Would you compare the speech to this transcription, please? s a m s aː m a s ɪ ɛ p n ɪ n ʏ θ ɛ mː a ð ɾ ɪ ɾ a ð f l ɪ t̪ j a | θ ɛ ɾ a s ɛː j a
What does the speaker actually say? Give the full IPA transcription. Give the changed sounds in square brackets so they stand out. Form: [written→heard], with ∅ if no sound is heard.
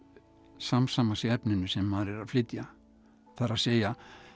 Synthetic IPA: s a m s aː m a s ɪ ɛ p n ɪ n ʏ [θ→s] ɛ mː a ð ɾ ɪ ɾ a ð f l ɪ t̪ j a | θ [ɛ→a] ɾ a s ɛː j a